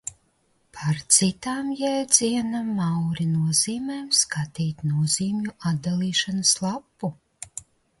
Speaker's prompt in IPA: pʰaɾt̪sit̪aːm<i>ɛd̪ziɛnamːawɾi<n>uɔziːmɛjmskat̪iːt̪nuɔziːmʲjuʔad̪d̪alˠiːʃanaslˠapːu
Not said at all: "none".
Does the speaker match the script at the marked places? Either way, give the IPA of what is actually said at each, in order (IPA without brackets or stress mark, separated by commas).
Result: j, n